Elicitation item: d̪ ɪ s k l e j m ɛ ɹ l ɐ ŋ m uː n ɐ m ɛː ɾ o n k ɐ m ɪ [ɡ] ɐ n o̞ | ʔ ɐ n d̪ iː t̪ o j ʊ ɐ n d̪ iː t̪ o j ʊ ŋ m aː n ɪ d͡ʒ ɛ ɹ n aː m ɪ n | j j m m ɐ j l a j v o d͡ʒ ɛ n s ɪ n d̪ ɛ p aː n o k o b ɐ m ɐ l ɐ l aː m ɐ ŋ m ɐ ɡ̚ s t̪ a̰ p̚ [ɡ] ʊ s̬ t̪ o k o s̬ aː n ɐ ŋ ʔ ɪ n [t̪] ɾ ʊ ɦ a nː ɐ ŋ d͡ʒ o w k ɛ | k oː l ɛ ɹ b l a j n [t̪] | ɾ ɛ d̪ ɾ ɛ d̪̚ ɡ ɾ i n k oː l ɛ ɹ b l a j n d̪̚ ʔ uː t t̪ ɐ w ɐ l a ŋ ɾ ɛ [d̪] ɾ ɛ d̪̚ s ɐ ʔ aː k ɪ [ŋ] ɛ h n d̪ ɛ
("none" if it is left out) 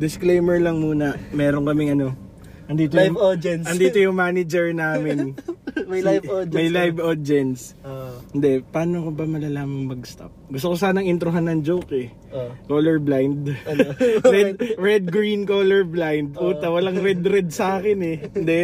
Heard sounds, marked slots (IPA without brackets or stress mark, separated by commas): ŋ, ɡ, t̪, d̪, d̪, n